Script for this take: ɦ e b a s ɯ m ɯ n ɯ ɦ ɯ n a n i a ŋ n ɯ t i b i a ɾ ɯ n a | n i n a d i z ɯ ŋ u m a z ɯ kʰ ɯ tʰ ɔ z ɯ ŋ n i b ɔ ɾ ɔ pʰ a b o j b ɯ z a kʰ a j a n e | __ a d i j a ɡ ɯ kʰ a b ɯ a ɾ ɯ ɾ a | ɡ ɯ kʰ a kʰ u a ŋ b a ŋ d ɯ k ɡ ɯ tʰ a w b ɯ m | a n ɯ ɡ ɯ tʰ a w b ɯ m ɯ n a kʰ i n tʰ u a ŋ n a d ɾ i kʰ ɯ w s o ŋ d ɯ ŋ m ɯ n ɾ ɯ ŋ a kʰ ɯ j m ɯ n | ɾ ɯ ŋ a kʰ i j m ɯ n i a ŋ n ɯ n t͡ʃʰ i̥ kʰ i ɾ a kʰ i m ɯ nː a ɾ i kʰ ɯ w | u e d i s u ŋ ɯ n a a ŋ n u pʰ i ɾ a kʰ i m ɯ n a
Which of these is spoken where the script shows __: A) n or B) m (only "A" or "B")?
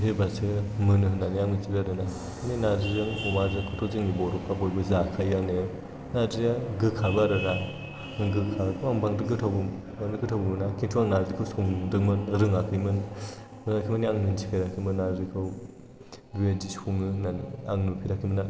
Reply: A